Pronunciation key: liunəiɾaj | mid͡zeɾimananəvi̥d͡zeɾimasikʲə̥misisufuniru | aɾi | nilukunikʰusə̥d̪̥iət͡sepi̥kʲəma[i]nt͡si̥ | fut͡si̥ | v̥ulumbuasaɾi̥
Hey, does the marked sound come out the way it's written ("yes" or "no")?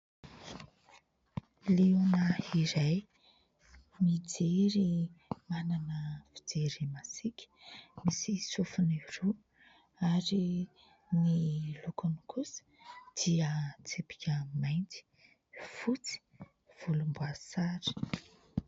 no